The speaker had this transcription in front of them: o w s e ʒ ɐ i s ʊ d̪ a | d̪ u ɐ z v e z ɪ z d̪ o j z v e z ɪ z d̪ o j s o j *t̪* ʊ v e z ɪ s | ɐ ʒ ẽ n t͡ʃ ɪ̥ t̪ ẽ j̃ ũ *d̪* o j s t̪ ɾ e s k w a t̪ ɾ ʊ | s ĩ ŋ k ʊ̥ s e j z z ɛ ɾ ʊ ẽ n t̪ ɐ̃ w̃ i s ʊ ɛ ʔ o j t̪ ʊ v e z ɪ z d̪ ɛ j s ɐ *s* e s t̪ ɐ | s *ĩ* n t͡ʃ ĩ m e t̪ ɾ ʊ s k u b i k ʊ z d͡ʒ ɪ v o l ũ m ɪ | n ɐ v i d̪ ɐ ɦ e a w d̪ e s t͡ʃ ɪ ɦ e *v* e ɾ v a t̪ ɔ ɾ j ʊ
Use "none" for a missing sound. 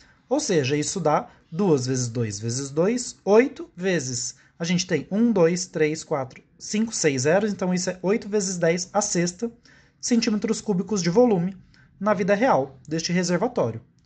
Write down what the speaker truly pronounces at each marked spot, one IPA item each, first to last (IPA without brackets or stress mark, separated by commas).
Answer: t̪, d̪, s, ẽ, z